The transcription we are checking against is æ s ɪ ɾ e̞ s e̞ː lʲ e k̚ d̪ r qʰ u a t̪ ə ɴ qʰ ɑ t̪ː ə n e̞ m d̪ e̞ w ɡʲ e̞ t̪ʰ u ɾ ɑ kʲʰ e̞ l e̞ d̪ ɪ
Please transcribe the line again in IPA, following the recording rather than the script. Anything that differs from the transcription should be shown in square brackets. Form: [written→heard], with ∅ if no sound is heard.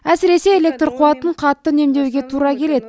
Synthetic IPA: æ s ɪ ɾ e̞ s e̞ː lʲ e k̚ [d̪→t̪] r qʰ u [a→ɑ] t̪ ə ɴ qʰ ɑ t̪ː ə n e̞ m d̪ e̞ w ɡʲ e̞ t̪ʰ u ɾ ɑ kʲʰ e̞ l e̞ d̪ ɪ